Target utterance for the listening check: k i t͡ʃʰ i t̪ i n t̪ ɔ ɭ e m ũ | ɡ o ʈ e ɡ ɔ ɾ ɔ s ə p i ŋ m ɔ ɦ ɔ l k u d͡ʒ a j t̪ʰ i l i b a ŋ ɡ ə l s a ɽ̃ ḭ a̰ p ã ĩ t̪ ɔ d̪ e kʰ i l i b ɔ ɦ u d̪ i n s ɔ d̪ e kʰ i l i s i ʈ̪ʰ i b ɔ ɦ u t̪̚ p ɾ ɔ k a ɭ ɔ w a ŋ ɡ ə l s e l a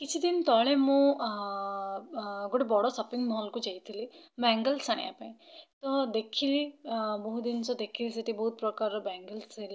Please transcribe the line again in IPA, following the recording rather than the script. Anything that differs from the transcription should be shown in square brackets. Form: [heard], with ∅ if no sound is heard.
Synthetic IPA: k i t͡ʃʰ i [d̪] i n t̪ ɔ ɭ e m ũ | ɡ o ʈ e [b] ɔ [ɽ] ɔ s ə p i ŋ m ɔ ɦ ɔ l k u d͡ʒ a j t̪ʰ i l i b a ŋ ɡ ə l s a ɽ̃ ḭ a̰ p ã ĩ t̪ ɔ d̪ e kʰ i l i b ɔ ɦ u d̪ i n s ɔ d̪ e kʰ i l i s [e] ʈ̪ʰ i b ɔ ɦ u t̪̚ p ɾ ɔ k a [ɾ] ɔ [b] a ŋ ɡ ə l s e l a

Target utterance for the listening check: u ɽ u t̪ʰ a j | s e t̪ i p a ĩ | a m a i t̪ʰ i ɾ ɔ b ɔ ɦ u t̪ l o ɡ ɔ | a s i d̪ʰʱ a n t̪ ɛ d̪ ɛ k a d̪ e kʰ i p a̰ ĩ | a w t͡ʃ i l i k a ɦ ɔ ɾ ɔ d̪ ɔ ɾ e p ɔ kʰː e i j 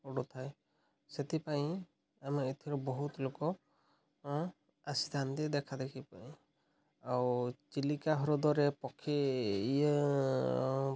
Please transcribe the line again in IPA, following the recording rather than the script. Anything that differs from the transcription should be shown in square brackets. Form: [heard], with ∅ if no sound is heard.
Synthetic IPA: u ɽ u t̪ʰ a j | s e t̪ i p a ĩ | a m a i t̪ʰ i ɾ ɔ b ɔ ɦ u t̪ l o [k] ɔ | a s i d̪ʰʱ a n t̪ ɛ d̪ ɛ [kʰ] a d̪ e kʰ i p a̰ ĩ | a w t͡ʃ i l i k a ɦ ɔ ɾ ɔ d̪ ɔ ɾ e p ɔ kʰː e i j

